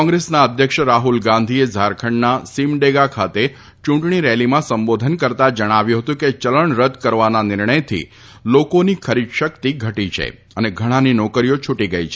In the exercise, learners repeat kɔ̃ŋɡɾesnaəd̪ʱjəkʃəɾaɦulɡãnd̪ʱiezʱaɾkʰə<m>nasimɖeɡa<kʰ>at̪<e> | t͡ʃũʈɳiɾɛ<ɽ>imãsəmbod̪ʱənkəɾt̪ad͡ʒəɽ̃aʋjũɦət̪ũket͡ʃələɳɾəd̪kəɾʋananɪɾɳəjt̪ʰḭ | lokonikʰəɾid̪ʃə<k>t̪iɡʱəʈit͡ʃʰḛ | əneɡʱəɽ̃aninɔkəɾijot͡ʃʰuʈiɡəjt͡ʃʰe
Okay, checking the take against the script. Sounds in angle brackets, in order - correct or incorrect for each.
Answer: incorrect: ɳ, correct, correct, incorrect: l, correct

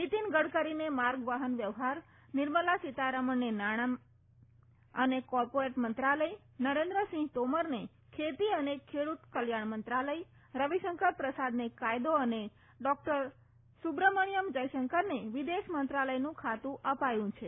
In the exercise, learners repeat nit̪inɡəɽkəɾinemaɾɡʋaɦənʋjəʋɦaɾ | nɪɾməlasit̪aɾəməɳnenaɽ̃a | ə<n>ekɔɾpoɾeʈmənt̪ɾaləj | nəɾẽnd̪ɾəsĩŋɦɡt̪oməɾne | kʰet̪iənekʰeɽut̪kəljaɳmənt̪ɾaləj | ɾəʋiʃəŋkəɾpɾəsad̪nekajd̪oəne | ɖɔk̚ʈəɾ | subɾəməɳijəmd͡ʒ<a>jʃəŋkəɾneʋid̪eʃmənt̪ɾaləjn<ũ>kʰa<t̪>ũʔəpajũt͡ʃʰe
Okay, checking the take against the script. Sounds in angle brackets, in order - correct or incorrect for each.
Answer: correct, incorrect: ə, correct, correct

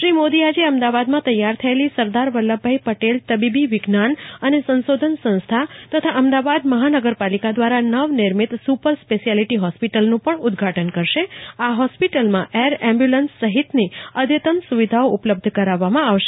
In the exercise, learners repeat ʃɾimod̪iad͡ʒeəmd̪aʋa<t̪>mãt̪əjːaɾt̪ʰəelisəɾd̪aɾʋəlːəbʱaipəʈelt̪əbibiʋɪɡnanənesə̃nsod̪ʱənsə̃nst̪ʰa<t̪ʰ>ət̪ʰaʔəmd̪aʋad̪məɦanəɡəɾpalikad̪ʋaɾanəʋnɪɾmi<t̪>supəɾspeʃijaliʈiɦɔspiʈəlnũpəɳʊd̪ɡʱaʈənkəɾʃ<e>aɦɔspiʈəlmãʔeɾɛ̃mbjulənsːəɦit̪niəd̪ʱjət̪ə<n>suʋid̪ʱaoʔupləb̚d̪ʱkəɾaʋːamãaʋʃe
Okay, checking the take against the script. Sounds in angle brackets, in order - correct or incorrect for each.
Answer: incorrect: d̪, incorrect: t̪, correct, correct, incorrect: m

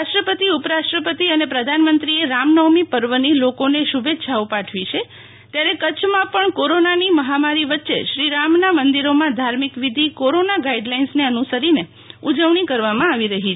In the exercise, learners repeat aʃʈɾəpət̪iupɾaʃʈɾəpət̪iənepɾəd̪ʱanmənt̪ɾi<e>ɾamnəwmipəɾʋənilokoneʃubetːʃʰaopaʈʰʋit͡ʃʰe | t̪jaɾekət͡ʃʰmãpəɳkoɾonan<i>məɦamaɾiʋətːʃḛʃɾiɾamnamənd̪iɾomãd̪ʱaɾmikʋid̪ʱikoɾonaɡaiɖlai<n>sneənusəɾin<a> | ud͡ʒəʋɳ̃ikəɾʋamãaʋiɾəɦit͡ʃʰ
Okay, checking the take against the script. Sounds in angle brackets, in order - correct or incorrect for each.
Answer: correct, correct, correct, incorrect: e

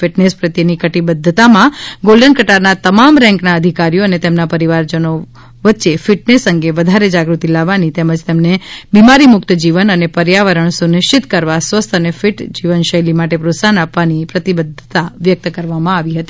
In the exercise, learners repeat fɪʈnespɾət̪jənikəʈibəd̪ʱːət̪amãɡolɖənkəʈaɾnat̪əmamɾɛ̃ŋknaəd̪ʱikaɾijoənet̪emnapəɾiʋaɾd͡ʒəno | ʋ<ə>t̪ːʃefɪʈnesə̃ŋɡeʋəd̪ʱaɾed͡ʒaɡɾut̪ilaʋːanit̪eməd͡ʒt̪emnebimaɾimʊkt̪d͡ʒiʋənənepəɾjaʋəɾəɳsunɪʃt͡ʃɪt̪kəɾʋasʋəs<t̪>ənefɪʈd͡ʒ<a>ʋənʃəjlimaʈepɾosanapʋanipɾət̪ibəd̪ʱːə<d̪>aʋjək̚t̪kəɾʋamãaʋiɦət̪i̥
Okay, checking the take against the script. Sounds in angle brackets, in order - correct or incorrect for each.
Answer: correct, incorrect: t̪ʰ, incorrect: i, incorrect: t̪

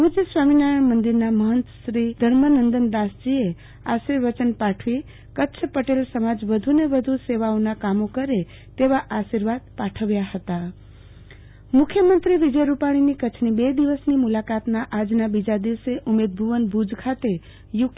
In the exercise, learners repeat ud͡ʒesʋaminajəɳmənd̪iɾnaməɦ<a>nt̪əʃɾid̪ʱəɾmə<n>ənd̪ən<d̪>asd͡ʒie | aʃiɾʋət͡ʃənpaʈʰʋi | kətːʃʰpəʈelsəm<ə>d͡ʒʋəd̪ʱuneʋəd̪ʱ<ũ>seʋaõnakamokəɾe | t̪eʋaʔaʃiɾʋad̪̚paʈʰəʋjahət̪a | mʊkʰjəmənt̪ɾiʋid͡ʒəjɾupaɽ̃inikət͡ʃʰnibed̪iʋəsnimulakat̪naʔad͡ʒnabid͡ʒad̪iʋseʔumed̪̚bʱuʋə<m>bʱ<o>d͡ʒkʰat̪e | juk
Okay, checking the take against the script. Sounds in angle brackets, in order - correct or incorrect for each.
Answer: incorrect: ə, correct, correct, incorrect: a, incorrect: u, incorrect: n, incorrect: u

